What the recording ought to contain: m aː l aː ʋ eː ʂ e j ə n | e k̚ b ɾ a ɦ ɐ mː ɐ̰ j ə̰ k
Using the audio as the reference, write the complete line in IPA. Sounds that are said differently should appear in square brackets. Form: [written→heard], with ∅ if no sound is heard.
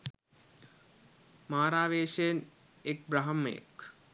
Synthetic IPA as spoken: m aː [l→ɾ] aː ʋ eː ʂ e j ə n | e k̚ b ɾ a ɦ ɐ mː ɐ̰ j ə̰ k